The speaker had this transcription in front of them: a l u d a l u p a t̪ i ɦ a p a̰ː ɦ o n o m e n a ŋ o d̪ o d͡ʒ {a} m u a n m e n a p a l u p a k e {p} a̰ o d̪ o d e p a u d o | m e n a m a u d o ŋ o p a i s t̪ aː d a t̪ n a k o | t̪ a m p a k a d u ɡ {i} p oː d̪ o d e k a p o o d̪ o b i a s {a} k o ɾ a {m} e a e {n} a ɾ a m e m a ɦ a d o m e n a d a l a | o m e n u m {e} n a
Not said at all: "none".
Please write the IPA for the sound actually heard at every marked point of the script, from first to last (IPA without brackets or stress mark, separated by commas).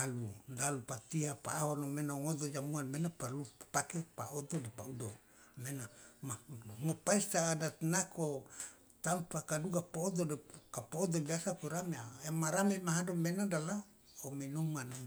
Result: a, p, a, a, m, m, a